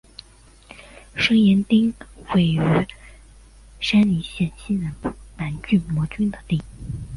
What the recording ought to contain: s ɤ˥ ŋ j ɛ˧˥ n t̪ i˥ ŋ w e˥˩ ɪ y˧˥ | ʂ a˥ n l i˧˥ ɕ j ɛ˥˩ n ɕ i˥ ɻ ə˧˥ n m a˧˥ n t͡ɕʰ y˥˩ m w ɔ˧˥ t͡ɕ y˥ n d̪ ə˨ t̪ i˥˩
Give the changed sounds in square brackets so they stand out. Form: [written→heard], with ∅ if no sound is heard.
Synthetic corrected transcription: [s→ʂ] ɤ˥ ŋ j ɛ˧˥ n t̪ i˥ ŋ w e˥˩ ɪ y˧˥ | ʂ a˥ n l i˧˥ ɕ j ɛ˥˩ n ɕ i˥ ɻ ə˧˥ n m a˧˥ n [t͡ɕʰ→t͡ɕ] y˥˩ m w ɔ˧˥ t͡ɕ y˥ n d̪ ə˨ t̪ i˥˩

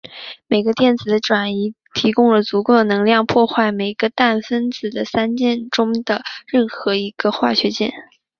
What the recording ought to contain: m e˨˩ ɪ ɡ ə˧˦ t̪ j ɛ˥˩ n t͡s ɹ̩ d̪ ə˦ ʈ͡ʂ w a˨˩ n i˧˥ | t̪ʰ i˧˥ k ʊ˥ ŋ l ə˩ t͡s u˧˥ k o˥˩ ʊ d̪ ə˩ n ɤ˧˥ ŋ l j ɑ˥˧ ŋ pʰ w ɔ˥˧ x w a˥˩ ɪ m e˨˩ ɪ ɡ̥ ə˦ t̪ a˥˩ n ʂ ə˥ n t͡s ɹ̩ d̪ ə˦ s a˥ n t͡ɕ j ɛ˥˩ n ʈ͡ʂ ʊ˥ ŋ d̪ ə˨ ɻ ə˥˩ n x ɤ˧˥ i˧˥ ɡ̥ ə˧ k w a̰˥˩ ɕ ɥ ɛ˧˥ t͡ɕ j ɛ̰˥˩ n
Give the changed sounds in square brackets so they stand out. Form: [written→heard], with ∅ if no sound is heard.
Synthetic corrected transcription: m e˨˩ ɪ ɡ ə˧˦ t̪ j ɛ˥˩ n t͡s ɹ̩ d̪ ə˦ ʈ͡ʂ w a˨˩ n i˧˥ | t̪ʰ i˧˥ k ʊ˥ ŋ l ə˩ t͡s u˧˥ k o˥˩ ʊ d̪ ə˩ n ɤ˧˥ ŋ l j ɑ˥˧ ŋ pʰ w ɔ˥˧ x w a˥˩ ɪ m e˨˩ ɪ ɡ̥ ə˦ t̪ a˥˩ n [ʂ→f] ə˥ n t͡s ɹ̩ d̪ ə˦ s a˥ n t͡ɕ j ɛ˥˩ n ʈ͡ʂ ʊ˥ ŋ d̪ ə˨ ɻ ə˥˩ n x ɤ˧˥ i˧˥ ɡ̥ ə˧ [k→x] w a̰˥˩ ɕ ɥ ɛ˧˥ t͡ɕ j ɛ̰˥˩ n

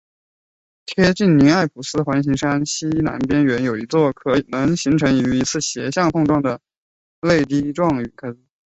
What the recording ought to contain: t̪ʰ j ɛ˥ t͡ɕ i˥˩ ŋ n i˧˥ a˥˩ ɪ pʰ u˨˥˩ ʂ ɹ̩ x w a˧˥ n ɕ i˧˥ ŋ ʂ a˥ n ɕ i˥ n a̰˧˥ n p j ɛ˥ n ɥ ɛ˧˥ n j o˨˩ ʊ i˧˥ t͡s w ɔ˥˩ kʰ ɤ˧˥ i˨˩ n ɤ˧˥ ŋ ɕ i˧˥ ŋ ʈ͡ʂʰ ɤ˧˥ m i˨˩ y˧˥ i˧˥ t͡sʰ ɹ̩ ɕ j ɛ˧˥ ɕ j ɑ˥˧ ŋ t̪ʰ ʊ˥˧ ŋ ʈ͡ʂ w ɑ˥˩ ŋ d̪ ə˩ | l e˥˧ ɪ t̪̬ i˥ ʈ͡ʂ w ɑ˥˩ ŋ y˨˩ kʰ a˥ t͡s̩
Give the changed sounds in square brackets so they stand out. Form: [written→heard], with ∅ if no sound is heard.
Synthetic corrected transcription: t̪ʰ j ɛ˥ t͡ɕ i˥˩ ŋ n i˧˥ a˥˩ ɪ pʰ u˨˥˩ [ʂ→s] ɹ̩ x w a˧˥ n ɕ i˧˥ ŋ ʂ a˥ n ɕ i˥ n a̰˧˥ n p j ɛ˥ n ɥ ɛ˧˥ n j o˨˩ ʊ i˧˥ t͡s w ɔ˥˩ kʰ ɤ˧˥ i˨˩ n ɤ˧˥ ŋ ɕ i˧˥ ŋ ʈ͡ʂʰ ɤ˧˥ [m→ŋ] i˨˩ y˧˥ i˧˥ t͡sʰ ɹ̩ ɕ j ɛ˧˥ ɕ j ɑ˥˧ ŋ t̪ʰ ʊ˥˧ ŋ ʈ͡ʂ w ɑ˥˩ ŋ d̪ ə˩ | l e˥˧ ɪ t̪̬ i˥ ʈ͡ʂ w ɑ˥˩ ŋ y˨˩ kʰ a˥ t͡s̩

